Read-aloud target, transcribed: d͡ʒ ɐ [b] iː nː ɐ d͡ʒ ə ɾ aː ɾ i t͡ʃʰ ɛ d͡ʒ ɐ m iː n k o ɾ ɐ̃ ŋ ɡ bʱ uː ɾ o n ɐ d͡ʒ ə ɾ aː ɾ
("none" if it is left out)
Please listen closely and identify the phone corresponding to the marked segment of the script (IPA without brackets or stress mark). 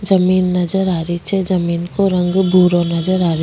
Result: m